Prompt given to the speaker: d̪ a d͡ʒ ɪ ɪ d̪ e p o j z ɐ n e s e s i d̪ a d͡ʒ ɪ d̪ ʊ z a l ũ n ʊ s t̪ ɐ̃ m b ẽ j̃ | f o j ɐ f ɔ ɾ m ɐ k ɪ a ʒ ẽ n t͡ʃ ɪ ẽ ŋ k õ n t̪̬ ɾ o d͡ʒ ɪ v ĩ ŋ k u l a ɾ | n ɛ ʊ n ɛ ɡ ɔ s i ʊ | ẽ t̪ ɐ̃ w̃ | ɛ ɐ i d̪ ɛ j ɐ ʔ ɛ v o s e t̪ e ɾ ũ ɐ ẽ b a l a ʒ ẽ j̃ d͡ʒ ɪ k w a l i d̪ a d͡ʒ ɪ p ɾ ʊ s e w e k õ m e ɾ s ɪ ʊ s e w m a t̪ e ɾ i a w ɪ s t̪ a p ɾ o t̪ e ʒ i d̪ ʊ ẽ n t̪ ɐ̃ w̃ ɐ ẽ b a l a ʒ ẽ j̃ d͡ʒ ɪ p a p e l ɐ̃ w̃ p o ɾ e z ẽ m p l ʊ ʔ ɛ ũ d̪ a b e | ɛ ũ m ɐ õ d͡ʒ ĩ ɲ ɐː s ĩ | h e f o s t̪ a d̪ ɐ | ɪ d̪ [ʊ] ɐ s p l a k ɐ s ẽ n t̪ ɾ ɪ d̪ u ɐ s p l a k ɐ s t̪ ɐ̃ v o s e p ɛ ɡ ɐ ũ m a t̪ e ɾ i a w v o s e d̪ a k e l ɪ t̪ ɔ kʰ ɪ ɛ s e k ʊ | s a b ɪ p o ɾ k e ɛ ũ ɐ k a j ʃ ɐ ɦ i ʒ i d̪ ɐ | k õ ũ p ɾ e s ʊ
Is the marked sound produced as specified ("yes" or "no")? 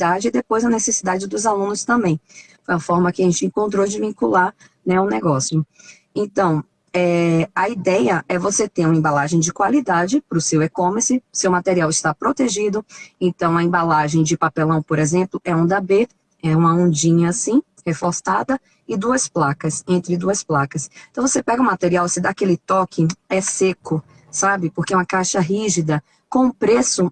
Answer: no